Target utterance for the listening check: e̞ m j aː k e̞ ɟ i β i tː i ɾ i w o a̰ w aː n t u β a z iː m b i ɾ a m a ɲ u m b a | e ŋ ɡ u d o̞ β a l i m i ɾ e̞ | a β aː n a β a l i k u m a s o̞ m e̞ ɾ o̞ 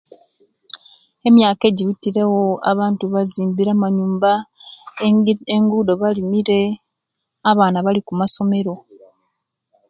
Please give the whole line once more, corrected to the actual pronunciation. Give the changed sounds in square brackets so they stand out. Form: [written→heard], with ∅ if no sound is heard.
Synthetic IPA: e̞ m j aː k e̞ ɟ i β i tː i ɾ [i→e] w o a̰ [w→β] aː n t u β a z iː m b i ɾ a m a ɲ [u→uː] m b a | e ŋ ɡ u d o̞ β a l i m i ɾ e̞ | a β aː n a β a l i k u m a s o̞ m e̞ ɾ o̞